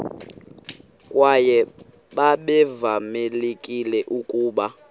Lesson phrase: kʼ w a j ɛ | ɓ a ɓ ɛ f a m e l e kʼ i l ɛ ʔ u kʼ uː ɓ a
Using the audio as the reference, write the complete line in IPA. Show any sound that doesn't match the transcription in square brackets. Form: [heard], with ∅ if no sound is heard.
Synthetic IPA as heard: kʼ w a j ɛ | ɓ a ɓ ɛ [v] a m e l e kʼ i l ɛ ʔ u kʼ uː ɓ a